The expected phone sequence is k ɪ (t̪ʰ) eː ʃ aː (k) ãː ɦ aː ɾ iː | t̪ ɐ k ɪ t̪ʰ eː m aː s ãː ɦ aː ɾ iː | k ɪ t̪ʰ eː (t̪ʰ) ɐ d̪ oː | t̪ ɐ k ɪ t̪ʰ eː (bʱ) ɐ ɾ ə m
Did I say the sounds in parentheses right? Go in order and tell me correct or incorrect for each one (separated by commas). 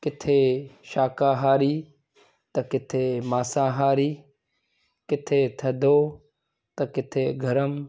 correct, correct, correct, incorrect